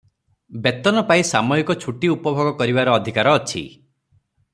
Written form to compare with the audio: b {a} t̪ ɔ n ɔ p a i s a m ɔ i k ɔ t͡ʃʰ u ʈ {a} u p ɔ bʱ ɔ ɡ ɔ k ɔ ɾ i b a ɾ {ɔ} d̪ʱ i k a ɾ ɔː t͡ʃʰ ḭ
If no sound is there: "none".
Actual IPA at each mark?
e, i, ɔː

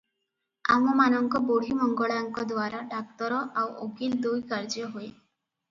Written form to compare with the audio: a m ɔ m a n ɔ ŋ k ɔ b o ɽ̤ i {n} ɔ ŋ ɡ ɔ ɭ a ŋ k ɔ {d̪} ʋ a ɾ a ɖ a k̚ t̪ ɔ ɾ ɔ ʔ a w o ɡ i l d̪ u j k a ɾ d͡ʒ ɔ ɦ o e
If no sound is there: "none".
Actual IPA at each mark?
m, d̪

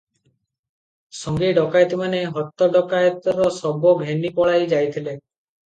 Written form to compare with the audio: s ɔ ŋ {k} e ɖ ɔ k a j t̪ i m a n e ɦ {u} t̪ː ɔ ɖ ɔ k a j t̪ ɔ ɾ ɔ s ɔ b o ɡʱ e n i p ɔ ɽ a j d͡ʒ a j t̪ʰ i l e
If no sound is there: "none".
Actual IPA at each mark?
ɡ, ɔ

